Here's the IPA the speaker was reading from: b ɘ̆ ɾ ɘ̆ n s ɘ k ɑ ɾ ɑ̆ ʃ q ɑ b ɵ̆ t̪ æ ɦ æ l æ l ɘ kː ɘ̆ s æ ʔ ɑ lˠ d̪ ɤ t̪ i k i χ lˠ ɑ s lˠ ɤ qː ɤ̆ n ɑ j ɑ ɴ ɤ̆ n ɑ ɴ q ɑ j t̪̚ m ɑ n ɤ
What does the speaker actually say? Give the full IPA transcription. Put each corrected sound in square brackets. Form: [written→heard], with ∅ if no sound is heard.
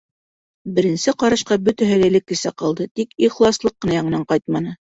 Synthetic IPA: b ɘ̆ ɾ ɘ̆ n s ɘ [k→q] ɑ ɾ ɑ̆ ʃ q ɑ b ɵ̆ t̪ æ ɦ æ l æ l ɘ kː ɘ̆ s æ [ʔ→q] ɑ lˠ d̪ ɤ t̪ i k i χ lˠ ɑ s lˠ ɤ qː ɤ̆ n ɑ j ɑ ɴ ɤ̆ n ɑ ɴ q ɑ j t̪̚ m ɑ n ɤ